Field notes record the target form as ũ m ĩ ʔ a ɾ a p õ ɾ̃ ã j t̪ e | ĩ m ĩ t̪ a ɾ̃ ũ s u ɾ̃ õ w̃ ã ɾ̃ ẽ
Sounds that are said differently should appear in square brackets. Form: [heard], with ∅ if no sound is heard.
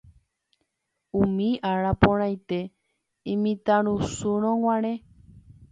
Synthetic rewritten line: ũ m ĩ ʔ a ɾ a p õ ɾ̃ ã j t̪ e | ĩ m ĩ t̪ a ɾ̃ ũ s u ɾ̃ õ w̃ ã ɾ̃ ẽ